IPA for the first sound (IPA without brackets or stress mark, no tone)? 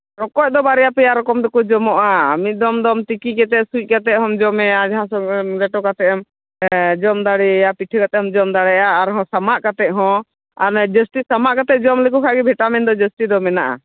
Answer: ɾ